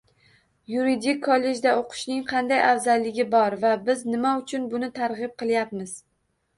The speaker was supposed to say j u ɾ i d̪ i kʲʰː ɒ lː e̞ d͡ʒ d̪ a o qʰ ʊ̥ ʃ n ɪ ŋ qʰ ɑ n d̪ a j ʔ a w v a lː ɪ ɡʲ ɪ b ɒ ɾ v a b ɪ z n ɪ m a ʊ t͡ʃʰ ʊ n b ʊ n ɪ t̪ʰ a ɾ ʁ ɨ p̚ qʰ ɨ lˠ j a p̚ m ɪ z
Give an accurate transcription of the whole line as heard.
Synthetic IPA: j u ɾ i d̪ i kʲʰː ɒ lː e̞ d͡ʒ d̪ a o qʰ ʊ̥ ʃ n ɪ ŋ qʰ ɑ n d̪ a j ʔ a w z a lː ɪ ɡʲ ɪ b ɒ ɾ v a b ɪ z n ɪ m a ʊ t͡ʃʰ ʊ n b ʊ n ɪ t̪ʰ a ɾ ʁ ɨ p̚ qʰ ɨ lˠ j a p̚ m ɪ z